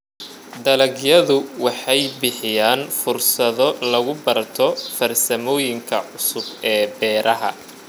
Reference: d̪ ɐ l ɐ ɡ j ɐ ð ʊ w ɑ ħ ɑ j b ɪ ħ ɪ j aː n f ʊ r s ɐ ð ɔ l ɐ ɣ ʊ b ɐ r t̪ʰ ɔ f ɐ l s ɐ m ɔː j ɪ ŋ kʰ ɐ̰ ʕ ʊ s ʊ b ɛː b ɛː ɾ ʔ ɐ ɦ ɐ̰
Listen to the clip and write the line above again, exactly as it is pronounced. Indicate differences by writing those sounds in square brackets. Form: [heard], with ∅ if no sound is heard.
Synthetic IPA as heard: d̪ ɐ l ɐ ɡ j ɐ ð ʊ w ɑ ħ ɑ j b ɪ ħ ɪ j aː n f ʊ r s ɐ ð ɔ l ɐ ɣ ʊ b ɐ r t̪ʰ ɔ f ɐ [r] s ɐ m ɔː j ɪ ŋ kʰ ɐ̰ ʕ ʊ s ʊ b ɛː b ɛː ɾ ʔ ɐ ɦ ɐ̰